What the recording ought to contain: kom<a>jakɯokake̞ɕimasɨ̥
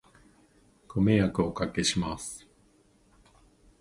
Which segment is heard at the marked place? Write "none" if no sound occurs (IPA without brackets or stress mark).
e